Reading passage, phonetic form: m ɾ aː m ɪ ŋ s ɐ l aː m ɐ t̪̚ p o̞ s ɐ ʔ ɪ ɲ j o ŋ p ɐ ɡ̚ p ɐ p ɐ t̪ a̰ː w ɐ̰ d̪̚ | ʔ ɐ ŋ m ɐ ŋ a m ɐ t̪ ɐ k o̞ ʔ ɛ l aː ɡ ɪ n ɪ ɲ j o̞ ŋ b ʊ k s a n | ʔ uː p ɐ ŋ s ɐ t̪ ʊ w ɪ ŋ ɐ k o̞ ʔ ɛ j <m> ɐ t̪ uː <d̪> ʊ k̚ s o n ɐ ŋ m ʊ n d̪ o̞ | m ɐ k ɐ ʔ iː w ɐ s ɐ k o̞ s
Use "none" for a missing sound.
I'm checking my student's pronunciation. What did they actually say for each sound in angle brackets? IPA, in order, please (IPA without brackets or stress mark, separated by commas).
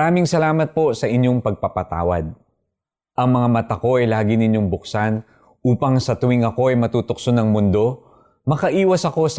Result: m, t̪